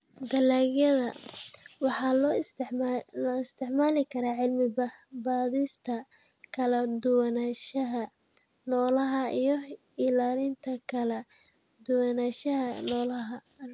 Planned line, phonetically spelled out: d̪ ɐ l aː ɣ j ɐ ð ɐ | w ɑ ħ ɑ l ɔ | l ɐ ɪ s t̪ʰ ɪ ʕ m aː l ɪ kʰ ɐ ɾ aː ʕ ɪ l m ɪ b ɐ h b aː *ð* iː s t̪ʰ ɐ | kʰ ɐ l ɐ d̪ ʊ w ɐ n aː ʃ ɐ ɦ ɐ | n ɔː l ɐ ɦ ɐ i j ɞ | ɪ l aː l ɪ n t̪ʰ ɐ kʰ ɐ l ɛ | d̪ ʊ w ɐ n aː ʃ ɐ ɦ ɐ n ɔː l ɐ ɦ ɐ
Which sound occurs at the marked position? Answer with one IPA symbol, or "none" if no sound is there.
ð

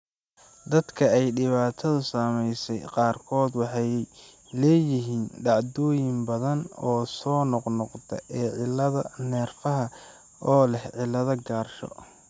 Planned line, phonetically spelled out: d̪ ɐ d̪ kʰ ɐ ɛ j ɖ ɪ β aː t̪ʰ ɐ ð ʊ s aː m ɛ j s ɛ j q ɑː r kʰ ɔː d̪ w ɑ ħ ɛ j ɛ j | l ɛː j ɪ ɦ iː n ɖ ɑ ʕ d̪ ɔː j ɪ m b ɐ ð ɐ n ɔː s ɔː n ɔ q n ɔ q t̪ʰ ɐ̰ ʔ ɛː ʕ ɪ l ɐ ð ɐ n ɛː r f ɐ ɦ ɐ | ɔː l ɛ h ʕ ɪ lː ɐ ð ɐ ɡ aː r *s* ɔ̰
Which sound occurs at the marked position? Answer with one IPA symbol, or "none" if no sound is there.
ʃ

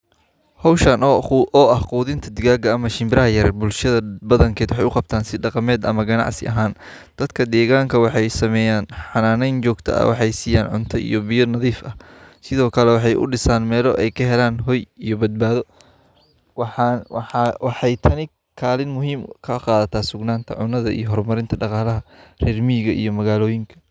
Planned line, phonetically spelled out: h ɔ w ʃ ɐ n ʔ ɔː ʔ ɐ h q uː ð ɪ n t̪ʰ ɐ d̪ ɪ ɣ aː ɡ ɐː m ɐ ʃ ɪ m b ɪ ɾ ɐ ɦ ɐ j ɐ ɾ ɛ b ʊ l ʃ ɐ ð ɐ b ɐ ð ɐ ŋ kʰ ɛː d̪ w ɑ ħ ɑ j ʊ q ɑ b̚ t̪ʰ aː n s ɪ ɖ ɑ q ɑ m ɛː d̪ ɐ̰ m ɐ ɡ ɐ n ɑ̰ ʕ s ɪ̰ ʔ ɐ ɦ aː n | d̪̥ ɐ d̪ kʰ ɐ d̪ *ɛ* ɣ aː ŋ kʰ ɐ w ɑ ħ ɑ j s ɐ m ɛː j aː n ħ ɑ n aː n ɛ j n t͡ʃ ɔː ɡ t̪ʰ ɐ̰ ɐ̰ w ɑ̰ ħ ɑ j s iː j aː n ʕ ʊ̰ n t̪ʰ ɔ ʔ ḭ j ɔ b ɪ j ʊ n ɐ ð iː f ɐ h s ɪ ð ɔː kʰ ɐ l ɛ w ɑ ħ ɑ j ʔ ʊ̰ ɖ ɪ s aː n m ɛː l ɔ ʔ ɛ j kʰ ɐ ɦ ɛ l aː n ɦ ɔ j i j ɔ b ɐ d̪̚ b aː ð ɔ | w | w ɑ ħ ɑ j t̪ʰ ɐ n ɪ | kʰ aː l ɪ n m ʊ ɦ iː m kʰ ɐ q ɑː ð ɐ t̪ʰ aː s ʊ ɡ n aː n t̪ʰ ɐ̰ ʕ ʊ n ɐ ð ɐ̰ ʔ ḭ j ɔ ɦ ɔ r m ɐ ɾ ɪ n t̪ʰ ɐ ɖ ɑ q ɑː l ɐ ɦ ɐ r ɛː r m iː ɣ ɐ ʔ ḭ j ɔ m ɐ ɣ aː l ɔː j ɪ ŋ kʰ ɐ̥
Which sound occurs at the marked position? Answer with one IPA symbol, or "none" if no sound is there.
ɛː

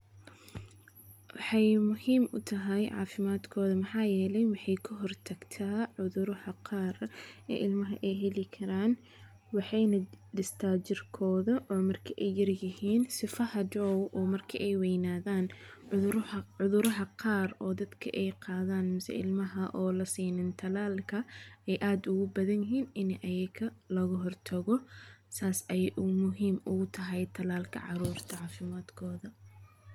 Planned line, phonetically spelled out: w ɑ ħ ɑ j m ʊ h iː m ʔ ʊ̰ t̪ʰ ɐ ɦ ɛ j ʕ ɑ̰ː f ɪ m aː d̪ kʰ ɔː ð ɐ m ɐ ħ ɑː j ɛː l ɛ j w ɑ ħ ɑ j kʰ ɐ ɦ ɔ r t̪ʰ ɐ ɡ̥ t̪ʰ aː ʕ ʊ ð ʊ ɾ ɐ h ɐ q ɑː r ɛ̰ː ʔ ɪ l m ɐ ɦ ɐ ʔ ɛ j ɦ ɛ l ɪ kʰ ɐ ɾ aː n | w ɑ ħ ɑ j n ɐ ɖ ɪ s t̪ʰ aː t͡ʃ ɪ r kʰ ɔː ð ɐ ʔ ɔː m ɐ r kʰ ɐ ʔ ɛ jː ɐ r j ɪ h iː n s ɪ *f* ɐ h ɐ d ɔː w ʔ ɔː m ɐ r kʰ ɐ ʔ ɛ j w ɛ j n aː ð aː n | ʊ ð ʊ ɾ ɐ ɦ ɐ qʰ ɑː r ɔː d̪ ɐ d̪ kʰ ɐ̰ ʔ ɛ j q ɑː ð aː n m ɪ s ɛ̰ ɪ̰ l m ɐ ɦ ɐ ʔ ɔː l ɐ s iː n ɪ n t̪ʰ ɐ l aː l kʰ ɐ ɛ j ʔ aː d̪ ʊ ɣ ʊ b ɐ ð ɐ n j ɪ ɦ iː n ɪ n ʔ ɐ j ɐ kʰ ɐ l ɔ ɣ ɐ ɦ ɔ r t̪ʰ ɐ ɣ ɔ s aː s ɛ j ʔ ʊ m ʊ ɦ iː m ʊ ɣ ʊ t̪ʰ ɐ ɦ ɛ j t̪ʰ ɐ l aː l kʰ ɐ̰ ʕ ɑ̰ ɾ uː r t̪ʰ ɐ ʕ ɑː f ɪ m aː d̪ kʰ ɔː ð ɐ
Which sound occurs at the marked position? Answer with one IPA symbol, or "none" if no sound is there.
f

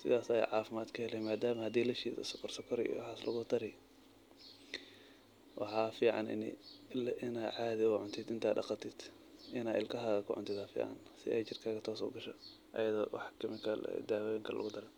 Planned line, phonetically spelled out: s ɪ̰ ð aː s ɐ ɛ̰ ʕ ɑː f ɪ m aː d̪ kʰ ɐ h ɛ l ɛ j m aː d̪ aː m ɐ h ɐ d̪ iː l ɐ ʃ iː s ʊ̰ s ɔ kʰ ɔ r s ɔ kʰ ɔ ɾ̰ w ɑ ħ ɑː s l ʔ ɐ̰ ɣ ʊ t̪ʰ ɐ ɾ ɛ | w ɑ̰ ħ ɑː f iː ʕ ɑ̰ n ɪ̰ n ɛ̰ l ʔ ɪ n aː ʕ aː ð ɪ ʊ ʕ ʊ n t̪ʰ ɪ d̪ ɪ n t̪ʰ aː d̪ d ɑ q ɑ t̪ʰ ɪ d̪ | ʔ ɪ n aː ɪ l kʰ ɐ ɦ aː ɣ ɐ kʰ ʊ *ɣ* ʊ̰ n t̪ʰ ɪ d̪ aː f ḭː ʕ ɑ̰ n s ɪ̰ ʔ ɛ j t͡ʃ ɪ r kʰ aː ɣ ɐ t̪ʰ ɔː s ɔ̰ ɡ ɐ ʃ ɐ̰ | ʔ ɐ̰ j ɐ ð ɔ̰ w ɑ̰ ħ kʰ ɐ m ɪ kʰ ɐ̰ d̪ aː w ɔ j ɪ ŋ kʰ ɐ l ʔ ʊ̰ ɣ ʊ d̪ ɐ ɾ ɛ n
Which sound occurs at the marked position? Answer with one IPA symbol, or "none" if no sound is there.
ʕ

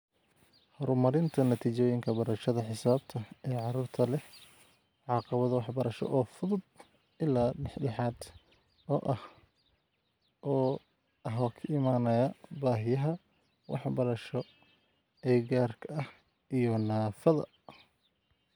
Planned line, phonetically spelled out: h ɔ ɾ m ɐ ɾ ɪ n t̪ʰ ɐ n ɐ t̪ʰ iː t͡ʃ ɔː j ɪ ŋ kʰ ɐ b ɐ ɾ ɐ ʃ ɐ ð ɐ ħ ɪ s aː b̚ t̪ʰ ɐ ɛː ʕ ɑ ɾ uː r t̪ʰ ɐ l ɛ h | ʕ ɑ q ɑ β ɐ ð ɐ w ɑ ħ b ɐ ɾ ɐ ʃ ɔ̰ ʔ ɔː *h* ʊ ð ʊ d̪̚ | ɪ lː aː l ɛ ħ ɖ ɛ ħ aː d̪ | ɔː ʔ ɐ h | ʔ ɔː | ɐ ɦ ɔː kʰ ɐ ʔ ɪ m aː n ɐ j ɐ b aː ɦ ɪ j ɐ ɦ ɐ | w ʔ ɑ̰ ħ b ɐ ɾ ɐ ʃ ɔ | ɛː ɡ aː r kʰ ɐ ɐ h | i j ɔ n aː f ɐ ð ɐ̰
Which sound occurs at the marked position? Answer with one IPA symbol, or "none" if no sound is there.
f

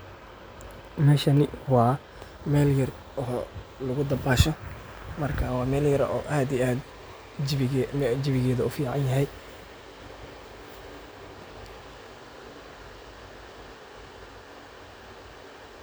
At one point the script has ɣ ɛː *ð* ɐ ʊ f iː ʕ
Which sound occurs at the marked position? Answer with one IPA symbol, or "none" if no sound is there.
ð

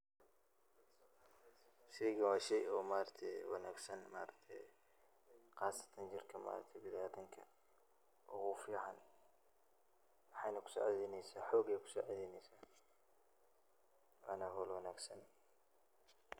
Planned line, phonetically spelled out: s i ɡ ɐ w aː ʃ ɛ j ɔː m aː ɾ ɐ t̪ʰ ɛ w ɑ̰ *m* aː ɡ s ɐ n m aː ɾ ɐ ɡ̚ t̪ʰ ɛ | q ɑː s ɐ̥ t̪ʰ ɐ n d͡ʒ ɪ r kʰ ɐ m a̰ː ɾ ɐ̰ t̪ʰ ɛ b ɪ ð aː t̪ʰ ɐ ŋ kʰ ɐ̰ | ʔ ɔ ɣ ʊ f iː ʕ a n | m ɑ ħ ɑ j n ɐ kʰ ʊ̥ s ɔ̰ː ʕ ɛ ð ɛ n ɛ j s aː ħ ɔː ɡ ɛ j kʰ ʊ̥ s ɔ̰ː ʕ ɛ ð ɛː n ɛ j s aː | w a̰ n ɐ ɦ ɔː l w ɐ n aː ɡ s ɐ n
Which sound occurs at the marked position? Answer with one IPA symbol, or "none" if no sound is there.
n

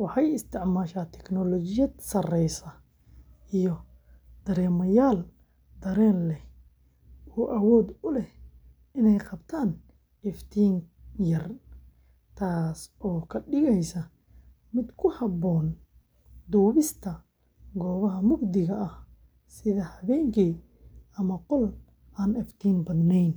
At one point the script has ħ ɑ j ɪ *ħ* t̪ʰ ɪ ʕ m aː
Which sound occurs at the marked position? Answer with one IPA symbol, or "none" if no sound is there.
s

